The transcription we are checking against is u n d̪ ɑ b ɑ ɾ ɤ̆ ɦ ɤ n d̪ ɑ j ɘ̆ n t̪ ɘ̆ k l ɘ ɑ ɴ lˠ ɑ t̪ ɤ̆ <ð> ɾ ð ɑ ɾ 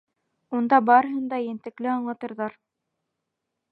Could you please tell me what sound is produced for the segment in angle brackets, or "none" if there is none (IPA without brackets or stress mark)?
none